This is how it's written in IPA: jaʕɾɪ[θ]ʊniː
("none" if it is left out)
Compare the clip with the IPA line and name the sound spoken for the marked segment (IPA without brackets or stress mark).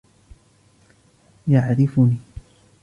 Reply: f